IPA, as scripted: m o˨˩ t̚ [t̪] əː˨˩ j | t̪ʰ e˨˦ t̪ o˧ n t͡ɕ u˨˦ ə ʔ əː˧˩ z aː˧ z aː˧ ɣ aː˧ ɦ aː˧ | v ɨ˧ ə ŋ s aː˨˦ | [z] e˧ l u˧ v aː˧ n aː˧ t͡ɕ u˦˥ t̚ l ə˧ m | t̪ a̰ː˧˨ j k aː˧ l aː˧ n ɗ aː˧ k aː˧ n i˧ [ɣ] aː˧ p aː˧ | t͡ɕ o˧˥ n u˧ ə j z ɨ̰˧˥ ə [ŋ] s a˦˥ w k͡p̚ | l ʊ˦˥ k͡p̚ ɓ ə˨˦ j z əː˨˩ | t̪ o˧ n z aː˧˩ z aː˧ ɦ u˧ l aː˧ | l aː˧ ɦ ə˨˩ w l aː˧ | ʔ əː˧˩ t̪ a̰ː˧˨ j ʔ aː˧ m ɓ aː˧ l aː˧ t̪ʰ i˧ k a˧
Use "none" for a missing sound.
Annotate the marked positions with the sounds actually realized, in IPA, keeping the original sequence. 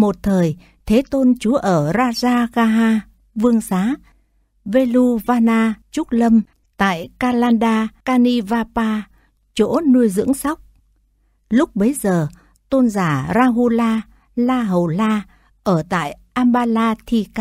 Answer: t̪ʰ, v, v, ŋ

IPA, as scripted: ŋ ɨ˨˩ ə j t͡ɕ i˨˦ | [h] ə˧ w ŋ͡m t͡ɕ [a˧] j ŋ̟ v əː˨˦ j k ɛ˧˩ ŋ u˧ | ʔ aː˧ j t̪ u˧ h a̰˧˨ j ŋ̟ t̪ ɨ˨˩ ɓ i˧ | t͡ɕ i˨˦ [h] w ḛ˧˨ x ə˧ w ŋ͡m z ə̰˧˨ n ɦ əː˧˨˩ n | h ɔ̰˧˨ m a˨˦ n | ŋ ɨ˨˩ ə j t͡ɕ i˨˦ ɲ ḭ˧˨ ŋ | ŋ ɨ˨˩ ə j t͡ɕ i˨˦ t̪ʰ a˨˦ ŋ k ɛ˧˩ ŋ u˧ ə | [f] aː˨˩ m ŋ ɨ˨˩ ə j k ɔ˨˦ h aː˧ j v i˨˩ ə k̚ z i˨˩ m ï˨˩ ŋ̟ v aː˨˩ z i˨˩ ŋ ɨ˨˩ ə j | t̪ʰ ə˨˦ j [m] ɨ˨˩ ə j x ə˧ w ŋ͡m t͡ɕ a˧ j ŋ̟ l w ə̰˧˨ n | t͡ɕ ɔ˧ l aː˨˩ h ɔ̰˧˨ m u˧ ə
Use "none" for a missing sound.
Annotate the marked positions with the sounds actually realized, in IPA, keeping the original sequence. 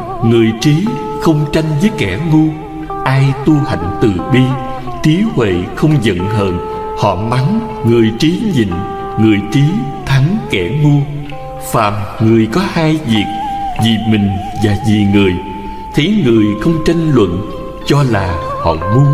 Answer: x, a˧, h, f, ŋ

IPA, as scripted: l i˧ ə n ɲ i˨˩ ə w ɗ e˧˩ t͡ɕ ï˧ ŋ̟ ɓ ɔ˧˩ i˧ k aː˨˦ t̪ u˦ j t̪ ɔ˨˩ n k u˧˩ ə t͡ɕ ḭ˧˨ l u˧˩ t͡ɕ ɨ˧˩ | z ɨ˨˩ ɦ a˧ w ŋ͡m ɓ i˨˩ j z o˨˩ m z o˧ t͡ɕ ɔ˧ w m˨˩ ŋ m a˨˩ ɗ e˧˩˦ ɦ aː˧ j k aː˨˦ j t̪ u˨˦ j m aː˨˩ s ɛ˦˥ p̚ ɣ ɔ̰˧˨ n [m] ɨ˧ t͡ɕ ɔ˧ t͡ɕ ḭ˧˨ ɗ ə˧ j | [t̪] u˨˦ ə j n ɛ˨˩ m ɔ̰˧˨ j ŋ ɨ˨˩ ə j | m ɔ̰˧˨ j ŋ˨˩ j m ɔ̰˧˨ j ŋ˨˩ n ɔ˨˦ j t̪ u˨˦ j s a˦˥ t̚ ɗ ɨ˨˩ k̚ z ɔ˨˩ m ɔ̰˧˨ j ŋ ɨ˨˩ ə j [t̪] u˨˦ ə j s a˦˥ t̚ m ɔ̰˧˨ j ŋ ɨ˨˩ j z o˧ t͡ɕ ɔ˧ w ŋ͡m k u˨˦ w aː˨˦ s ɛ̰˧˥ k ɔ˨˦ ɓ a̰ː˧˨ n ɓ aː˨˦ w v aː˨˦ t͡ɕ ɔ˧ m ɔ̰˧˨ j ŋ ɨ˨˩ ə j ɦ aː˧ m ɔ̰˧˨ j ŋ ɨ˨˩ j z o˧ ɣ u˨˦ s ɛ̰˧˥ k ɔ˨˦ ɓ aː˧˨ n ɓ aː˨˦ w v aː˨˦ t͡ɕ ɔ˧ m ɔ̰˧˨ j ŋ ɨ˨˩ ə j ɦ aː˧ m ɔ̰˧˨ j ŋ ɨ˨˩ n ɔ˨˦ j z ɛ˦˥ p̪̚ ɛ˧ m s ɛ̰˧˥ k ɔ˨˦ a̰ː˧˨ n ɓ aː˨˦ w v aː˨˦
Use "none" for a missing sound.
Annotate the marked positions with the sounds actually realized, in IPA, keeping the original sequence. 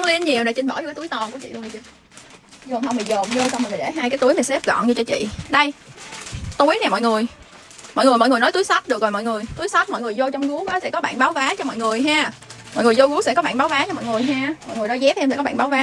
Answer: ɲ, t̪, t̪

